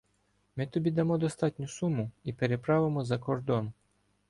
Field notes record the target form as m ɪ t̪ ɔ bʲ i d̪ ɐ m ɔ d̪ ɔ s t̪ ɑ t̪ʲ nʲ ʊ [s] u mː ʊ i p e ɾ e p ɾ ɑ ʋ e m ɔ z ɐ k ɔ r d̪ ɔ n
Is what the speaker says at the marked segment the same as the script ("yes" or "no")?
yes